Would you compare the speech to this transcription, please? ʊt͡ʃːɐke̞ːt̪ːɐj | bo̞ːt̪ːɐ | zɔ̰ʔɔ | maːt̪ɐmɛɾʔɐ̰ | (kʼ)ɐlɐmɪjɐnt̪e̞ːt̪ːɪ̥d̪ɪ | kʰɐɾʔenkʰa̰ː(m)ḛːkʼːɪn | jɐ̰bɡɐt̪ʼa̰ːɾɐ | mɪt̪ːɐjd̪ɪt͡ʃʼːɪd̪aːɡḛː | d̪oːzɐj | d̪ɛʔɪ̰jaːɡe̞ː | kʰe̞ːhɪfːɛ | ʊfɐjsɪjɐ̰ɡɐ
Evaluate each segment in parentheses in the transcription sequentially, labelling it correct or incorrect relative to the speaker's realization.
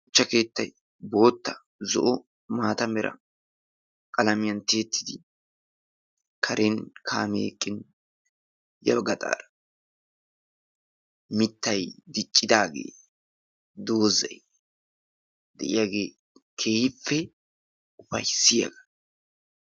correct, correct

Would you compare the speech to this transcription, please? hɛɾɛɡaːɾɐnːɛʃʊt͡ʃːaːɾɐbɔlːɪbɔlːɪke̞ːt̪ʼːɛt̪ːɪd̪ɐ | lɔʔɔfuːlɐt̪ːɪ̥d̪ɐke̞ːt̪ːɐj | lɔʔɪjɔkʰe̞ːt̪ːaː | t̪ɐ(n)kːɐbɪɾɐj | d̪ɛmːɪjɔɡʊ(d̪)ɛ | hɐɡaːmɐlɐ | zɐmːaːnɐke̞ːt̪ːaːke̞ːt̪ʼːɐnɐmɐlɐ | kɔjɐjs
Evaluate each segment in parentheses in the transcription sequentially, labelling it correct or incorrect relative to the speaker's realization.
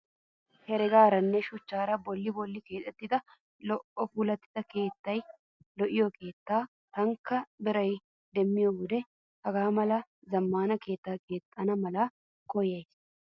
incorrect: ŋ, correct

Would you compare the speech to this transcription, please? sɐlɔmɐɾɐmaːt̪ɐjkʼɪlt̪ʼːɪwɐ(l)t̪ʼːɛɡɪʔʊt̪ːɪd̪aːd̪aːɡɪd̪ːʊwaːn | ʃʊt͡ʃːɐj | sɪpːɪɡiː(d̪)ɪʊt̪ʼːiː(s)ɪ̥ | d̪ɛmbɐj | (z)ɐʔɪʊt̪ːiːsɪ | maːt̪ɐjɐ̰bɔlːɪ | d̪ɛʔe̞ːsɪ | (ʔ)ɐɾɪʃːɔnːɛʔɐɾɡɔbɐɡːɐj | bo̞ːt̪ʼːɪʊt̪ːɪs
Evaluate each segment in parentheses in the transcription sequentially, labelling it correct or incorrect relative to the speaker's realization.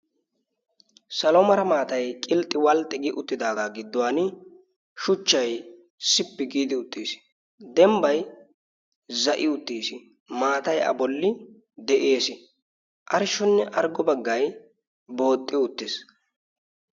correct, correct, correct, correct, correct

